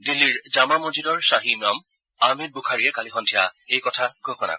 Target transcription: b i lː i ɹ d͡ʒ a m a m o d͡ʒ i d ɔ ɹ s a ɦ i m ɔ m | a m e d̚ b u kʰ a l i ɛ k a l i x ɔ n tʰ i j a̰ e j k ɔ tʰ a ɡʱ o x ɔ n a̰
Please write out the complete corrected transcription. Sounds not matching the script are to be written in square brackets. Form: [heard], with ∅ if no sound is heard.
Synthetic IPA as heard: [d] i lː i ɹ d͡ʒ a m a m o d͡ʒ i d ɔ ɹ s a ɦ i m ɔ m | a m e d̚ b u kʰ a [ɹ] i ɛ k a l i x ɔ n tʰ i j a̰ e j k ɔ tʰ a ɡʱ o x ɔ n a̰